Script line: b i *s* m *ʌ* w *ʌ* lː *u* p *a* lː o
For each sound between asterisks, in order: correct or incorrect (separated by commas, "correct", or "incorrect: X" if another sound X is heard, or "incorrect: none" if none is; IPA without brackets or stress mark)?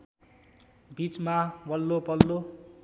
incorrect: t͡s, incorrect: a, correct, incorrect: o, incorrect: ʌ